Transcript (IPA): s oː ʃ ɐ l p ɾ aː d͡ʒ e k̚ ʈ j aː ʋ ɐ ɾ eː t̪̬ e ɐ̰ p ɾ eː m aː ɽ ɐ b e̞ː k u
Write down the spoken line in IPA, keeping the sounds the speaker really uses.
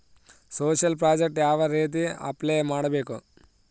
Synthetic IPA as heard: s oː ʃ ɐ l p ɾ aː d͡ʒ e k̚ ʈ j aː ʋ ɐ ɾ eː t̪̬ i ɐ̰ p l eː m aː ɽ ɐ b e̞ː k u